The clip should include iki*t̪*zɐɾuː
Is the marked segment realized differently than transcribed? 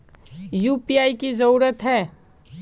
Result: yes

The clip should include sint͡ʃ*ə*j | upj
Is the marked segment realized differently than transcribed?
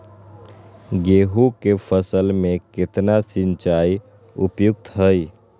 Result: yes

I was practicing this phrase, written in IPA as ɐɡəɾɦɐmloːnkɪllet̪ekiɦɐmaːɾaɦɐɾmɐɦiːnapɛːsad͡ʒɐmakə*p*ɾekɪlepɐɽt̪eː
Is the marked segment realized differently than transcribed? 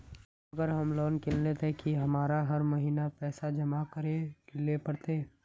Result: yes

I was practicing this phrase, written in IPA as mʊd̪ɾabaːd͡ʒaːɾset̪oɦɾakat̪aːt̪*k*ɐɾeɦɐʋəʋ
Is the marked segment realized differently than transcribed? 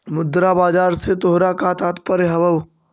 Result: yes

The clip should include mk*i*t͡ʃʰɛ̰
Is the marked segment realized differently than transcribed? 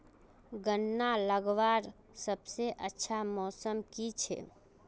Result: no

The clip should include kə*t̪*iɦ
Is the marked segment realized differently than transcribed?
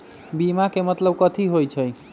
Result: yes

